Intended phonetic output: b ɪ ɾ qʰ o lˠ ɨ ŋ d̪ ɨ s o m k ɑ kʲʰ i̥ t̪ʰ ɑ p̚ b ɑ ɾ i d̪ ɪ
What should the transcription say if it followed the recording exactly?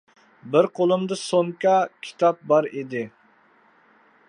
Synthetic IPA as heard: b ɪ ɾ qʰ o lˠ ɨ m d̪ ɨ s o ŋ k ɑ kʲʰ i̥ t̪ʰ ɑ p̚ b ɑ ɾ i d̪ ɪ